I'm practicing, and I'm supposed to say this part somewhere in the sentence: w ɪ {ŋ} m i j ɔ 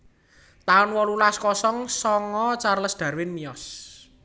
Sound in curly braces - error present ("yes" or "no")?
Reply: yes